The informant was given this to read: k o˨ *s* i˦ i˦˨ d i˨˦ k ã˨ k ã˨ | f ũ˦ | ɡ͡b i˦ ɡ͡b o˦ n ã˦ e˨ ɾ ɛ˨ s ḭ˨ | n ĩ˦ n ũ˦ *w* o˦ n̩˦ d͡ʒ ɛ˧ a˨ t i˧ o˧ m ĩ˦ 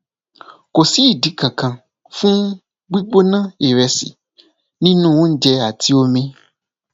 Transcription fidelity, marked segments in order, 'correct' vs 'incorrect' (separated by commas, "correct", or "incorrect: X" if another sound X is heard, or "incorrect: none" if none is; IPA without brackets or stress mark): correct, correct